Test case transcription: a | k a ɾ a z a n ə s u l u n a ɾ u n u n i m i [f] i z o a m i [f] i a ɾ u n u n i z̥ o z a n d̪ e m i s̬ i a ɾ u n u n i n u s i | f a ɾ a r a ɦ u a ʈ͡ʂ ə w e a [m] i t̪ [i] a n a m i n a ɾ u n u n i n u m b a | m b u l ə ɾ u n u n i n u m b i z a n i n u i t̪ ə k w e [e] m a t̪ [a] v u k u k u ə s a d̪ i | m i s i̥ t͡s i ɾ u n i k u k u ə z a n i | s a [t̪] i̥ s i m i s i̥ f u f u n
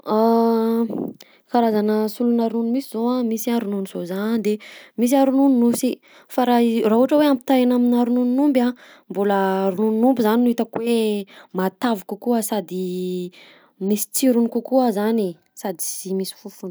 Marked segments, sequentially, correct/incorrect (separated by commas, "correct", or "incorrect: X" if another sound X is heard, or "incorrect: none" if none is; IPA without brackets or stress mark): incorrect: s, incorrect: s, correct, incorrect: a, correct, correct, incorrect: d̪